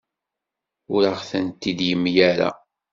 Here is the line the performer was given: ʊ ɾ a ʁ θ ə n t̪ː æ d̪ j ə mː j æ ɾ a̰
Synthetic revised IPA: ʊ ɾ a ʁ θ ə n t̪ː i d̪ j ə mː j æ ɾ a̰